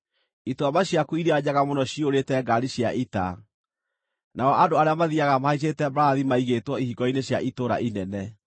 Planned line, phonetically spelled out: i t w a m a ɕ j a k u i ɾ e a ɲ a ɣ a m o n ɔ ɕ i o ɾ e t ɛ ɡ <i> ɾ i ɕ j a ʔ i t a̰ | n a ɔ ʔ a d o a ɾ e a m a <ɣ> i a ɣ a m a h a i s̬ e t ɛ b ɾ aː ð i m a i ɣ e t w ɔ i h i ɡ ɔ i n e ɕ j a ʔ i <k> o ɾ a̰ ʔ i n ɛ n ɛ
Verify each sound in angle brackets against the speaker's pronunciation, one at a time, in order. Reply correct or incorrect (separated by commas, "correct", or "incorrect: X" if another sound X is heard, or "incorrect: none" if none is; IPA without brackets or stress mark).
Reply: incorrect: a, incorrect: ð, incorrect: t